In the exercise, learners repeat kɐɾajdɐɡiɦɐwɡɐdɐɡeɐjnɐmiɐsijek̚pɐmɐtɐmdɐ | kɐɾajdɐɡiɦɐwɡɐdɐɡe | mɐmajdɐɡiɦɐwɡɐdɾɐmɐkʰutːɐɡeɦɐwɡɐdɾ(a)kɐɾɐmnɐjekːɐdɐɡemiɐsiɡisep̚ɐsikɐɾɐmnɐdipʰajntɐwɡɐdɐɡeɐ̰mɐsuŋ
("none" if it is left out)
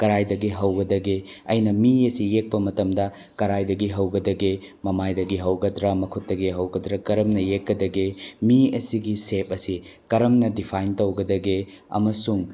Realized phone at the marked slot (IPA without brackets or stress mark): ɐ